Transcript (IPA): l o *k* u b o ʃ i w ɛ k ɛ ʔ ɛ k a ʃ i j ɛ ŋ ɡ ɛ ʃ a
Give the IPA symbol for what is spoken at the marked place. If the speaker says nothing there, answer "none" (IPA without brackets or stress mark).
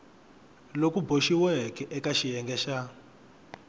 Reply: k